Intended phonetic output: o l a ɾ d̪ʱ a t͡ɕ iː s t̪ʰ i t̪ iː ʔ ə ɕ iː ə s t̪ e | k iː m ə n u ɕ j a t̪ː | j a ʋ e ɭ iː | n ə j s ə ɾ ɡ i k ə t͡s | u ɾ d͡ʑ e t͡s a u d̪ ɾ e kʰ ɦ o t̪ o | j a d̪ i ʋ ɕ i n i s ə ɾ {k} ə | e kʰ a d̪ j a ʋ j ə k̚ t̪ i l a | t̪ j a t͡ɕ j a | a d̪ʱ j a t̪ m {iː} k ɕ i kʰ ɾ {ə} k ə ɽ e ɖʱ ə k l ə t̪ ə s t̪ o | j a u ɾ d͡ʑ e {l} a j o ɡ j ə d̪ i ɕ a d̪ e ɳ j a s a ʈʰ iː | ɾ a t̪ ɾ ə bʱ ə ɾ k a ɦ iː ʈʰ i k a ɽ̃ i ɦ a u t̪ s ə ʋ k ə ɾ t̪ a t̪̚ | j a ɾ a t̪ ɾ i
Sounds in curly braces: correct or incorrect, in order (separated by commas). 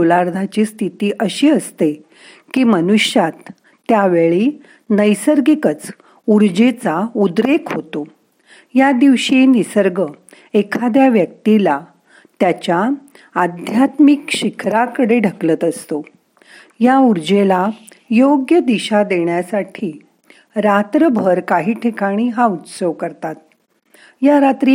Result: incorrect, incorrect, incorrect, correct